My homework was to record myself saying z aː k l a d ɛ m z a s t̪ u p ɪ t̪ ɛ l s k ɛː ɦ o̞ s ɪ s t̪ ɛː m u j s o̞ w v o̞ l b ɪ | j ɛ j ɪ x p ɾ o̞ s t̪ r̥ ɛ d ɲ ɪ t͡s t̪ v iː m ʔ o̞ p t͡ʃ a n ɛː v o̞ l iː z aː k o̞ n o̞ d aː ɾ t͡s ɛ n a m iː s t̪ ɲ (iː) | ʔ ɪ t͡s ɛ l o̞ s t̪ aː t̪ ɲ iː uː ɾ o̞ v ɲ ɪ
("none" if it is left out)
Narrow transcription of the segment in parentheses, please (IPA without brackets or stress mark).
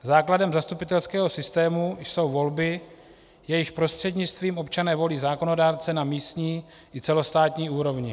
iː